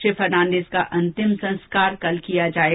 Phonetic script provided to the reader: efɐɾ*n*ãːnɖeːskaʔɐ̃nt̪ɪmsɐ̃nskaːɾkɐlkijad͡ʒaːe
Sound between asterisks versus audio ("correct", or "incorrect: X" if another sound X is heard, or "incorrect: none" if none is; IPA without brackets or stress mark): correct